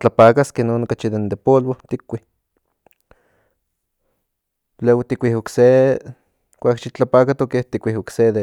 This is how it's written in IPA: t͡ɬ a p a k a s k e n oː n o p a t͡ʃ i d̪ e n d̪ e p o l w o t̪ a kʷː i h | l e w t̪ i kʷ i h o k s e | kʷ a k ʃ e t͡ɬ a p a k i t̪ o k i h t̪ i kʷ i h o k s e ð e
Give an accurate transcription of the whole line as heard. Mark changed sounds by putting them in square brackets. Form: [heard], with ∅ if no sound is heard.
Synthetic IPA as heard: t͡ɬ a p a k a s k e n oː n o [k] a t͡ʃ i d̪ e n d̪ e p o l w o t̪ [i] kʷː i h | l e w t̪ i kʷ i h o k s e | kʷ a k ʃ [i] t͡ɬ a p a k [a] t̪ o k [e] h t̪ i kʷ i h o k s e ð e

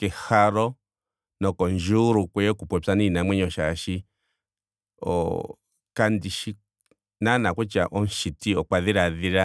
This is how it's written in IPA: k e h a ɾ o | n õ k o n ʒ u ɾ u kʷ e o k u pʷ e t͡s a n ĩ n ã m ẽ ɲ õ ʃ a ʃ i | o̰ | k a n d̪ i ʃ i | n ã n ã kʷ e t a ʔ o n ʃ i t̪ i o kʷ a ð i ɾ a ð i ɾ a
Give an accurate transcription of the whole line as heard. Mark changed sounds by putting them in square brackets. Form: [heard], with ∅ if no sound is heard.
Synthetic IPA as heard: k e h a ɾ o | n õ k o n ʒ u ɾ u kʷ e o k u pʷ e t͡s a n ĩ n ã m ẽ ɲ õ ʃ a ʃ i | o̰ | k a n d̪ i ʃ i | n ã n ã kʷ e [t͡ʃ] a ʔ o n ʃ i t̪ i o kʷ a ð i ɾ a ð i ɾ a

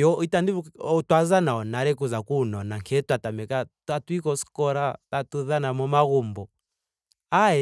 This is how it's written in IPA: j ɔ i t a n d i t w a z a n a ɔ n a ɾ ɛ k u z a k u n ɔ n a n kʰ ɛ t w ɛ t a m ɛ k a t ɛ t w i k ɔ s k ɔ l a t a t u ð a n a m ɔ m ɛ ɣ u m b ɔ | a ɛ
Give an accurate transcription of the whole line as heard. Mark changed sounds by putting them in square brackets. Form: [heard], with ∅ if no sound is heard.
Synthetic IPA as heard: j ɔ i t a n d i t w a z a n a ɔ n a ɾ ɛ k u z a k u n ɔ n a [ŋ] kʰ ɛ t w [a] t a m ɛ k a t [a] t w i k ɔ s k ɔ [ɾ] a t a t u ð a n a m ɔ m [a] ɣ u m b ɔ | a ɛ

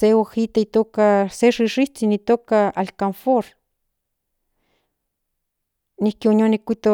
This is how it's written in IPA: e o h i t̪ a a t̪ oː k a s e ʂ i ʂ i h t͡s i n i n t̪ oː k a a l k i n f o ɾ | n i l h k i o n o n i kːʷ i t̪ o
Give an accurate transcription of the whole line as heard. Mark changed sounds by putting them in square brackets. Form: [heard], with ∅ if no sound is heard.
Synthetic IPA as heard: e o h i t̪ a [i] t̪ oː k a s e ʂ i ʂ i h t͡s i n i [∅] t̪ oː k a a l k [a] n f o ɾ | n i [∅] h k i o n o n i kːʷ i t̪ o

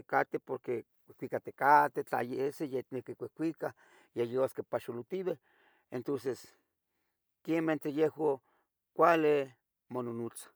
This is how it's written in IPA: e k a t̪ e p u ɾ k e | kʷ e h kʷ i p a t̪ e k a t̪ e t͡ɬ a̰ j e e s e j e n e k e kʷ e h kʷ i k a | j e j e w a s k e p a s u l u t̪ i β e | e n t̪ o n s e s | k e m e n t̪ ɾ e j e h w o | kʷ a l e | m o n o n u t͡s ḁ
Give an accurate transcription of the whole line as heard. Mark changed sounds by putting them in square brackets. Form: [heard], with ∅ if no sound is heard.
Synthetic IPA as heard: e k a t̪ e p [o] ɾ k e | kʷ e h kʷ i [k] a t̪ e k a t̪ e t͡ɬ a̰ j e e s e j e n e k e kʷ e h kʷ i k a | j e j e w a s k e p a [ʃ] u l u t̪ i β e | e n t̪ o n s e s | k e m e n t̪ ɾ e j e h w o | kʷ a l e | m o n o n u t͡s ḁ

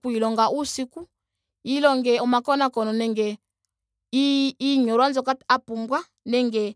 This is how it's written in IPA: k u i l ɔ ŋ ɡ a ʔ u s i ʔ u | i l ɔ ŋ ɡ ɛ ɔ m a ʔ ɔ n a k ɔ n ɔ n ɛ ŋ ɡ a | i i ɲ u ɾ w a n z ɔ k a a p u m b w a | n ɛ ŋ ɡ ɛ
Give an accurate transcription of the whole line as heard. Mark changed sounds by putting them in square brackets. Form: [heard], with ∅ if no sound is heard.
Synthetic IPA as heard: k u i l ɔ ŋ ɡ a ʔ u s i [k] u | i l ɔ ŋ ɡ ɛ ɔ m a [k] ɔ n a k ɔ n ɔ n ɛ ŋ ɡ [ɛ] | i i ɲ [ɔ] ɾ w a n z ɔ k a a p u m b w a | n ɛ ŋ ɡ ɛ

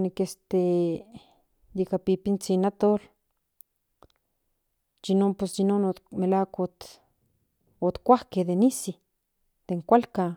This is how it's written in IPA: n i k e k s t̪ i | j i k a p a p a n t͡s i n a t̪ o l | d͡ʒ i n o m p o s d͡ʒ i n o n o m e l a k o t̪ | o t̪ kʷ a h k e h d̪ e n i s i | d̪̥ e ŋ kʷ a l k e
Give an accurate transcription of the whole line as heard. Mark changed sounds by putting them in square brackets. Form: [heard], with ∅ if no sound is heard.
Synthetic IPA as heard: n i k e [∅] s t̪ [e] | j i k a p [i] p [i] n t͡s i n a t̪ o l | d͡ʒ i n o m p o s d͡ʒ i n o n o m e l a k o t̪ | o t̪ kʷ a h k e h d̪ e n i s i | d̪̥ e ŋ kʷ a l k [a]

